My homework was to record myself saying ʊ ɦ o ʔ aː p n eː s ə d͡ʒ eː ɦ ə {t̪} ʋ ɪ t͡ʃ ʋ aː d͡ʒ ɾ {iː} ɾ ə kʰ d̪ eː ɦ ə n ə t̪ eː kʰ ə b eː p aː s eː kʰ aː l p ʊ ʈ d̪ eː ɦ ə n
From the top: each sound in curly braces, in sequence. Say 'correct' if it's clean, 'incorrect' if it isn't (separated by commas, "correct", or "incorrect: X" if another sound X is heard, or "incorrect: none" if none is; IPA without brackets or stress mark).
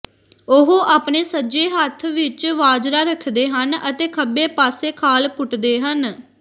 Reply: incorrect: t̪ʰ, incorrect: aː